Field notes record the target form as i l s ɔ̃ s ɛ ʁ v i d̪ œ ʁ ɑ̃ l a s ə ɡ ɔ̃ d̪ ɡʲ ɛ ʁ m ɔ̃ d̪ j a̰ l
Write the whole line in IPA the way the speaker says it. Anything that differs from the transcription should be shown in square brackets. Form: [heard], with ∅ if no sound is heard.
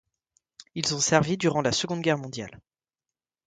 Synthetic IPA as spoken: i l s ɔ̃ s ɛ ʁ v i d̪ [y] ʁ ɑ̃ l a s ə ɡ ɔ̃ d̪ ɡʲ ɛ ʁ m ɔ̃ d̪ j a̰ l